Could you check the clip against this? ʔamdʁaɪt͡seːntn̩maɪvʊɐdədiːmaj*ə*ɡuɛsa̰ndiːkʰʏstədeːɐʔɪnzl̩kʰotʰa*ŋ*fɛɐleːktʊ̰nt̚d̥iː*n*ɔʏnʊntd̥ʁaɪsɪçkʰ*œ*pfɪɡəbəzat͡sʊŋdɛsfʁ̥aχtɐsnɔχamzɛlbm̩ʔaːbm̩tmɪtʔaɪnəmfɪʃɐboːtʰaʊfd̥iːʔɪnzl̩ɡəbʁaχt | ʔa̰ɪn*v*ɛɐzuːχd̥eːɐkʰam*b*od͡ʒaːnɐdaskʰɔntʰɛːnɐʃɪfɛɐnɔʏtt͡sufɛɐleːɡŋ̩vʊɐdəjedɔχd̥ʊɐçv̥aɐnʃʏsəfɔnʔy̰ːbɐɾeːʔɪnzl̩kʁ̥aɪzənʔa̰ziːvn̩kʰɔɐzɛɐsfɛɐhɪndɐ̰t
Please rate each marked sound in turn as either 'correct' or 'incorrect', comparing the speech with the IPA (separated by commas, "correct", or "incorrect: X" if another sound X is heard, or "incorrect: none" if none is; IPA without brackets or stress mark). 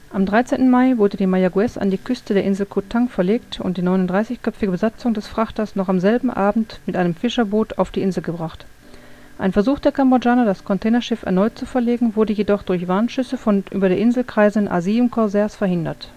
incorrect: a, correct, correct, correct, incorrect: f, correct